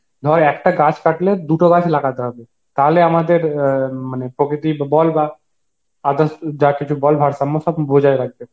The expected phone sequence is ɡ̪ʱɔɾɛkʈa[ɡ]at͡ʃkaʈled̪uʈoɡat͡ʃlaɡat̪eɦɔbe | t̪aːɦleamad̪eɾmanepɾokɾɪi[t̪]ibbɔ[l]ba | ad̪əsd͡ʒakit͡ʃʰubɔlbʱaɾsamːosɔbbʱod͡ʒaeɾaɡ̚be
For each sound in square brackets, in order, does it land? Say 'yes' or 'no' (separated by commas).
yes, yes, yes